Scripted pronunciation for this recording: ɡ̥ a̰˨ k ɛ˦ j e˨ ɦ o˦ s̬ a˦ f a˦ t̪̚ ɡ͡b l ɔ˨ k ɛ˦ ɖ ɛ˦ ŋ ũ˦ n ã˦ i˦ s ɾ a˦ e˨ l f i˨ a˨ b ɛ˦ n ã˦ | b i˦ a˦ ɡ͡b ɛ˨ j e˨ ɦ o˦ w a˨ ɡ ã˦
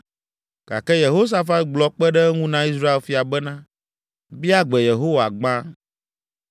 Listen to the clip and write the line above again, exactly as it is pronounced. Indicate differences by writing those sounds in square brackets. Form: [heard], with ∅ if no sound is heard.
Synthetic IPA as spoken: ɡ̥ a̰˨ k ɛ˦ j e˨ ɦ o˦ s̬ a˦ f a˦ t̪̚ ɡ͡b l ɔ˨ [k͡p] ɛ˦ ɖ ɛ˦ ŋ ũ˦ n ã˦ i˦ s ɾ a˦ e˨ l f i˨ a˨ b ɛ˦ n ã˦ | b i˦ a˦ ɡ͡b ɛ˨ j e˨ ɦ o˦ w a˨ [ɡ͡b] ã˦